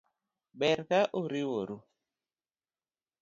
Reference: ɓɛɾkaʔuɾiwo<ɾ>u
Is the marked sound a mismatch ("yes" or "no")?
no